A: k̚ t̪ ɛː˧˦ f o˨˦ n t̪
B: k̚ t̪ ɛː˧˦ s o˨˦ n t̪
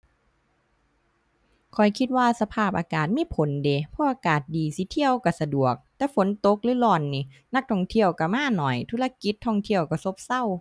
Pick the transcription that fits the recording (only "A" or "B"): A